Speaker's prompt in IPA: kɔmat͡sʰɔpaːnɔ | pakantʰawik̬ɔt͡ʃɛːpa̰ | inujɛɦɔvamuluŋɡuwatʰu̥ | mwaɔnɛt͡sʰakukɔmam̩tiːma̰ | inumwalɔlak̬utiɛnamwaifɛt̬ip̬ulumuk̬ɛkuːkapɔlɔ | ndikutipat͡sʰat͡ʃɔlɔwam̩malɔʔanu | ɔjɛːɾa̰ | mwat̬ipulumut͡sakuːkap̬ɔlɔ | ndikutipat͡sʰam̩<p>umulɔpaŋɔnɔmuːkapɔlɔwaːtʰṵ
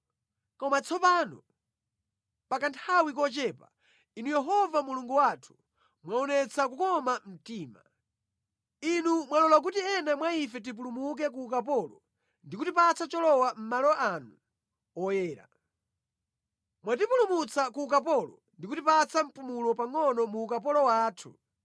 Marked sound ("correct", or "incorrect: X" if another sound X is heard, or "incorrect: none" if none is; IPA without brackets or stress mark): correct